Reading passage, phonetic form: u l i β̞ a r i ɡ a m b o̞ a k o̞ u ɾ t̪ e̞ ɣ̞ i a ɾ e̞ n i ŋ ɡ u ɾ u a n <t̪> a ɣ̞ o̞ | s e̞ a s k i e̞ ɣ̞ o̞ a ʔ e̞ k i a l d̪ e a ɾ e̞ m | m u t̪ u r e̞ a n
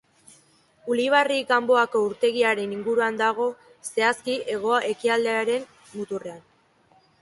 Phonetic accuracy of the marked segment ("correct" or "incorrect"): incorrect